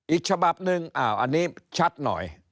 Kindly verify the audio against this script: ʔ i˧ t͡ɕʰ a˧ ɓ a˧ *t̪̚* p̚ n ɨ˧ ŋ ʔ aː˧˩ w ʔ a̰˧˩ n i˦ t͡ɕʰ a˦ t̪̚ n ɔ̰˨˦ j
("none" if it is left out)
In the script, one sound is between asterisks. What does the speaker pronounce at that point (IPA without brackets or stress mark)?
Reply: none